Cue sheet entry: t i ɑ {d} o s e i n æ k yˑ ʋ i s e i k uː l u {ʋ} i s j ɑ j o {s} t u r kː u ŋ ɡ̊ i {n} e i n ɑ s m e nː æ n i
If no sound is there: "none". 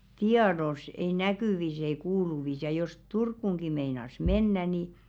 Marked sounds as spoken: d, ʋ, s, m

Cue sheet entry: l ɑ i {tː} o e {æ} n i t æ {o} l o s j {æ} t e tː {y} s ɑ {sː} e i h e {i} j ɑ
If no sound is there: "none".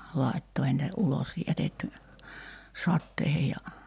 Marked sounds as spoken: tː, i, u, æ, y, tː, j

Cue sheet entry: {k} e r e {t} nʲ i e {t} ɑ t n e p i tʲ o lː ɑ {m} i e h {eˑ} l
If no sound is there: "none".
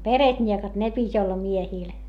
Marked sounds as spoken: p, t, k, m, iˑ

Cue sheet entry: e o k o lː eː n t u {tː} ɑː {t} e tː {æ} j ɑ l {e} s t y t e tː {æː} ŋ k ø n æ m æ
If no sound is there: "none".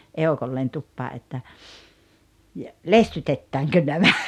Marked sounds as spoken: pː, ʔ, æ, e, æː

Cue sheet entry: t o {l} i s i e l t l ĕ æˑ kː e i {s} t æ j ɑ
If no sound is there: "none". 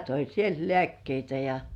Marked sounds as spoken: none, none

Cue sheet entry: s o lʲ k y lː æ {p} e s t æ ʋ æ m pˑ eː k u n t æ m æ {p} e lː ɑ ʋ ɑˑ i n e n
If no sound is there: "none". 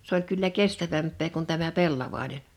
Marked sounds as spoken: k, p

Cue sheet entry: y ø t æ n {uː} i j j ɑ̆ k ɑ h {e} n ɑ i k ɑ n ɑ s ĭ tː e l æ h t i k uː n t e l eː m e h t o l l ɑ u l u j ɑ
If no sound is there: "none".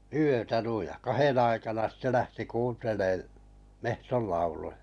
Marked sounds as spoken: u, e

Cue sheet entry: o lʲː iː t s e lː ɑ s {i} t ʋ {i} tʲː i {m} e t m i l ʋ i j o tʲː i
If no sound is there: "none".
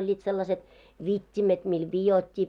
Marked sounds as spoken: e, i, m

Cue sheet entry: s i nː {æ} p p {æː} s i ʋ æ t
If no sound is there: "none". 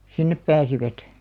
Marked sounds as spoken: e, æː

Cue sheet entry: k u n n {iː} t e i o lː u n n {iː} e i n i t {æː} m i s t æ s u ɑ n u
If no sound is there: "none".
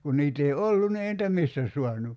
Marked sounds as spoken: iː, i, æ

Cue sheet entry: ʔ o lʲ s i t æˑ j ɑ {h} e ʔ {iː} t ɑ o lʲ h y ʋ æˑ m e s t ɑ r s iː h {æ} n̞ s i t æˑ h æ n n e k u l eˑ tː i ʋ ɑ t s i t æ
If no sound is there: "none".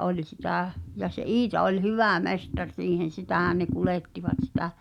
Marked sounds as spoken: s, iː, e

